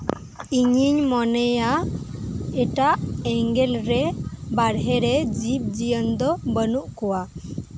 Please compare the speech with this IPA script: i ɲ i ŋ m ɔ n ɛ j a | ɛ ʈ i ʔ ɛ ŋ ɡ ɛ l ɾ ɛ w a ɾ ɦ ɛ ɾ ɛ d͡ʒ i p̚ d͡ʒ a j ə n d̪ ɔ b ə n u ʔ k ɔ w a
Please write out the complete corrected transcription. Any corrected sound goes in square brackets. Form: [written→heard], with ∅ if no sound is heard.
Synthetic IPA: i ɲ i [ŋ→ɲ] m ɔ n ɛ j a | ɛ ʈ [i→a] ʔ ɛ ŋ ɡ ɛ l ɾ ɛ [w→b] a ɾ ɦ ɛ ɾ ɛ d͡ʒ i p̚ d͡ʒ [a→i] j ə n d̪ ɔ b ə n u ʔ k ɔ w a